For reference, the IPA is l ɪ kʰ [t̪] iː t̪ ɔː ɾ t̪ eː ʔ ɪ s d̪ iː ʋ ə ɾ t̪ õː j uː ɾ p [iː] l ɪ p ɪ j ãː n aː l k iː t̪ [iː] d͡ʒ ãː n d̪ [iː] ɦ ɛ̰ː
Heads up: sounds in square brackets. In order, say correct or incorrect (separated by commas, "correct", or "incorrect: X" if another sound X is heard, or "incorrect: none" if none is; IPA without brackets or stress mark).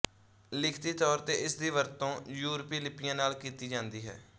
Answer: correct, correct, correct, correct